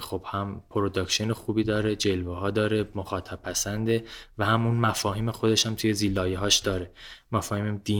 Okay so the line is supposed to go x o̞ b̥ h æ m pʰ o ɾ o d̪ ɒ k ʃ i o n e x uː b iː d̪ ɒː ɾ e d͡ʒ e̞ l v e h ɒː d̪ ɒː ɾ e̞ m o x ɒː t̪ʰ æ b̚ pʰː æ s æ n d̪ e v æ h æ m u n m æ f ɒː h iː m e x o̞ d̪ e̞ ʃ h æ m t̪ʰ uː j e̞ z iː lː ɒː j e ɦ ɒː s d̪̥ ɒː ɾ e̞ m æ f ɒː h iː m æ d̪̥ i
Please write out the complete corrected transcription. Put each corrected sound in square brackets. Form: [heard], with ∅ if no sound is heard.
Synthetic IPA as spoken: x o̞ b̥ h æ m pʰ o ɾ o d̪ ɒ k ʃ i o n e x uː b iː d̪ ɒː ɾ e d͡ʒ e̞ l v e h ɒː d̪ ɒː ɾ e̞ m o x ɒː t̪ʰ æ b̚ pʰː æ s æ n d̪ e v æ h æ m u n m æ f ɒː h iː m e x o̞ d̪ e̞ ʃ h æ m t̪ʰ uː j e̞ z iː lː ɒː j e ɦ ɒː [ʃ] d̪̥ ɒː ɾ e̞ m æ f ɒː h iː m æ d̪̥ i